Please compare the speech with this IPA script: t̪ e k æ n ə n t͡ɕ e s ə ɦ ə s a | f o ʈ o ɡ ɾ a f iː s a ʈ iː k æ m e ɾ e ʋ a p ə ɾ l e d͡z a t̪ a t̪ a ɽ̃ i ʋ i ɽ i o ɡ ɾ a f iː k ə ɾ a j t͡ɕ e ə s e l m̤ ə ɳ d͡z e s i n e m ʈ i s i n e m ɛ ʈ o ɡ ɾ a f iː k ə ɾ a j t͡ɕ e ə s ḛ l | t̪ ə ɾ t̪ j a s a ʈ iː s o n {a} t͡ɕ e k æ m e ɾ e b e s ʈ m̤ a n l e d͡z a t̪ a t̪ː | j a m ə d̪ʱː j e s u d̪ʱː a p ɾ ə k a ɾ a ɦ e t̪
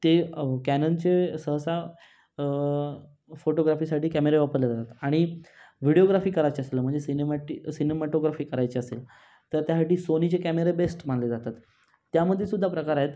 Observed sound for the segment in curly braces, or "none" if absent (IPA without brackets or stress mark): i